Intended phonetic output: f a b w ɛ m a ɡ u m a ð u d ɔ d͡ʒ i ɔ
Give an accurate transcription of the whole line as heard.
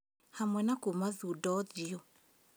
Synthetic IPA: h a m w ɛ n a k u m a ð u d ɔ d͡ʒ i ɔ